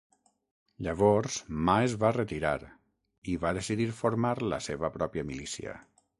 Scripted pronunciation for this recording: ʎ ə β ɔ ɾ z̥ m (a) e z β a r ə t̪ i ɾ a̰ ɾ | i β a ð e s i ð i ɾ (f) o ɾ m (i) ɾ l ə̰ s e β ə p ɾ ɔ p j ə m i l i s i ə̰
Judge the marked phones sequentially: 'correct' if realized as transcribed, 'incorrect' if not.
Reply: correct, correct, incorrect: a

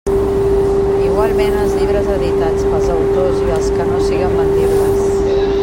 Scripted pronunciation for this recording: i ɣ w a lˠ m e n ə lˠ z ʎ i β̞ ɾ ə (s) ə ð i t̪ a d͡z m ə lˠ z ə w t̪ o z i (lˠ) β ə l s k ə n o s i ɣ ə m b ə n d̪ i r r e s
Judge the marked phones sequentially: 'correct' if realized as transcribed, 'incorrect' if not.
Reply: incorrect: z, incorrect: none

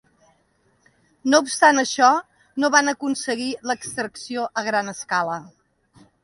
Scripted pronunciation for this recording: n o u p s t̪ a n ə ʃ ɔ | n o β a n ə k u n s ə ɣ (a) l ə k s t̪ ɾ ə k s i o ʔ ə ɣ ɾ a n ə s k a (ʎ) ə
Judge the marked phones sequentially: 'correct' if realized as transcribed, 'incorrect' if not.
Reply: incorrect: i, incorrect: l

